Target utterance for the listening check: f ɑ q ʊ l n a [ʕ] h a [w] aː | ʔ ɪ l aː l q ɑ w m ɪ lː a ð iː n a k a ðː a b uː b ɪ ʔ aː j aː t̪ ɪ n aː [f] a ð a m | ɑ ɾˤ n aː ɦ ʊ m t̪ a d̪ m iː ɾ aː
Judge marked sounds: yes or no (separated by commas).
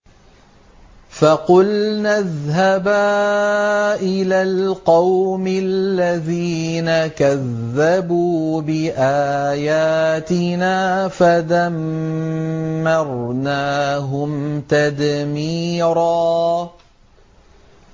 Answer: no, no, yes